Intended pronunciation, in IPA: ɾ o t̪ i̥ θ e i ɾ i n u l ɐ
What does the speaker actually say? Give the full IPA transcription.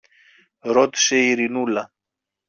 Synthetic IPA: ɾ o t̪ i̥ s e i ɾ i n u l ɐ

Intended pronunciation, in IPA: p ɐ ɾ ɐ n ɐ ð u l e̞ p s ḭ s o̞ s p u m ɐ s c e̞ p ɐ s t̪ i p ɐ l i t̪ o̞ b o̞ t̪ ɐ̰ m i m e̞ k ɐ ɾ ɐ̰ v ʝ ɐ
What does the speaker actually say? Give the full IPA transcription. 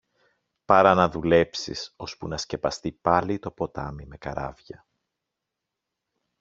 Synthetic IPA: p ɐ ɾ ɐ n ɐ ð u l e̞ p s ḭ s o̞ s p u n ɐ s c e̞ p ɐ s t̪ i p ɐ l i t̪ o̞ p o̞ t̪ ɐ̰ m i m e̞ k ɐ ɾ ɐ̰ v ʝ ɐ

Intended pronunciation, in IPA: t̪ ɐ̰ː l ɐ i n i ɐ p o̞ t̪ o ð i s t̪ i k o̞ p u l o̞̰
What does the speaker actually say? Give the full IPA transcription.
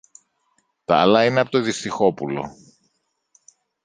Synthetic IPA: t̪ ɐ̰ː l ɐ i n e ɐ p o̞ t̪ o ð i s t̪ i x o̞ p u l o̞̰

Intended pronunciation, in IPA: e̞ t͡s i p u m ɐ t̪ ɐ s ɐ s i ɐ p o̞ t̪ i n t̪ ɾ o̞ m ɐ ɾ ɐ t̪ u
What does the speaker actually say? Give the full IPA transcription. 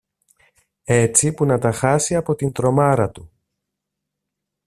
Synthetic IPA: e̞ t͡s i p u n ɐ t̪ ɐ x ɐ s i ɐ p o̞ t̪ i n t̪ ɾ o̞ m ɐ ɾ ɐ t̪ u

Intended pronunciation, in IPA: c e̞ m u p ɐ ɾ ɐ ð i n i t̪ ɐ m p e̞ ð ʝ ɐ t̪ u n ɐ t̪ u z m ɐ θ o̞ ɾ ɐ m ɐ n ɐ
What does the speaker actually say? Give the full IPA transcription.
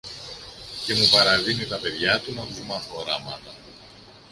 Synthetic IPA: c e̞ m u p ɐ ɾ ɐ ð i n i t̪ ɐ p e̞ ð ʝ ɐ t̪ u n ɐ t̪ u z m ɐ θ o̞ ɾ ɐ m ɐ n ɐ

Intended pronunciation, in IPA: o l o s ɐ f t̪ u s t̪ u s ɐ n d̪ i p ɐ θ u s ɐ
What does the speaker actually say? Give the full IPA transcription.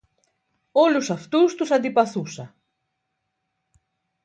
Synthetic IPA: o l u s ɐ f t̪ u s t̪ u s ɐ n d̪ i p ɐ θ u s ɐ

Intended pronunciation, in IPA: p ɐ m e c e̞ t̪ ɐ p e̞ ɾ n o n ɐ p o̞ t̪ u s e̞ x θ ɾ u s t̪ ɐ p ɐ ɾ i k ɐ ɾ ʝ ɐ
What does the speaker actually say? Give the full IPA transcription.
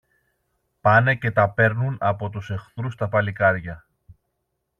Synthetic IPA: p ɐ n e c e̞ t̪ ɐ p e̞ ɾ n u n ɐ p o̞ t̪ u s e̞ x θ ɾ u s t̪ ɐ p ɐ l i k ɐ ɾ ʝ ɐ

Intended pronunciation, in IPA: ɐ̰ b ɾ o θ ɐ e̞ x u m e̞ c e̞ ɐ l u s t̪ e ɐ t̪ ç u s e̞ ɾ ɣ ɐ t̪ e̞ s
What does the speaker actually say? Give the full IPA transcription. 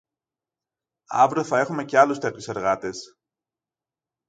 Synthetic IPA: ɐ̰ v ɾ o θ ɐ e̞ x u m e̞ c e̞ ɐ l u s t̪ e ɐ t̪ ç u s e̞ ɾ ɣ ɐ t̪ e̞ s

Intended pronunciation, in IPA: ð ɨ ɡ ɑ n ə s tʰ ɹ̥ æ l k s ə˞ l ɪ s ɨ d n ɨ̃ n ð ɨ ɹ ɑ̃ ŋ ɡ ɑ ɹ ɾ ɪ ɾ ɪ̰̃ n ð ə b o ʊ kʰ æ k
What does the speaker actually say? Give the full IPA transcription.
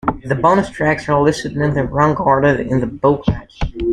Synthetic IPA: ð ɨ b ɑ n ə s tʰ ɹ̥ æ k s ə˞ l ɪ s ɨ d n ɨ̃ n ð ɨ ɹ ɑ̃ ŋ ɡ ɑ ɹ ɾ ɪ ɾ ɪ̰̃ n ð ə b o ʊ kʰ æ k

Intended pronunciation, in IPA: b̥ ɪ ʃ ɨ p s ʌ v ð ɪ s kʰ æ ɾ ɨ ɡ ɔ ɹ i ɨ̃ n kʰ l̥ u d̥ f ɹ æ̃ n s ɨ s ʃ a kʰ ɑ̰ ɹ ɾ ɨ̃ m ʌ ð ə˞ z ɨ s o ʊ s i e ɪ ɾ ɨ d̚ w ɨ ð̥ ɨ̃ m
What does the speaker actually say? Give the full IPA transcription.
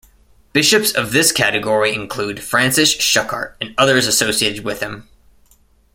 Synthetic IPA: b̥ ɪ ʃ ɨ p s ʌ v ð ɪ s kʰ æ ɾ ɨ ɡ ɔ ɹ i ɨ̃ n kʰ l̥ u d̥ f ɹ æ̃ n s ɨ s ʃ ʌ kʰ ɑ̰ ɹ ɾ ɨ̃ n ʌ ð ə˞ z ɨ s o ʊ s i e ɪ ɾ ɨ d̚ w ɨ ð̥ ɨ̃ m

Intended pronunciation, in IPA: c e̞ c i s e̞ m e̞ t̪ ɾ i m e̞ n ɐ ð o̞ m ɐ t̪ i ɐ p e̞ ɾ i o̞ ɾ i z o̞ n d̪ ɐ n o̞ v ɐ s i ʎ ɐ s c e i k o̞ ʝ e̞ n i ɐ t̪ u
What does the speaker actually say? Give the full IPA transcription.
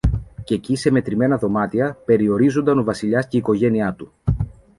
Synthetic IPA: c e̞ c i s e̞ m e̞ t̪ ɾ i m e̞ n ɐ ð o̞ m ɐ t̪ i ɐ p e̞ ɾ i o̞ ɾ i z o̞ n d̪ ɐ n o̞ v ɐ s i ʎ ɐ s c e i k o̞ ʝ e̞ n i ɐ t̪ u

